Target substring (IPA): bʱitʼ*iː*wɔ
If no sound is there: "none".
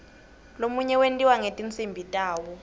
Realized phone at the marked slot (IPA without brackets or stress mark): aː